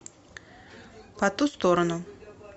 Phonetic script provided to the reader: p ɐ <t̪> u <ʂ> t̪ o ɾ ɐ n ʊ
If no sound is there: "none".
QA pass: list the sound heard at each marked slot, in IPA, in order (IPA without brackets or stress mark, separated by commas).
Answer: t̪, s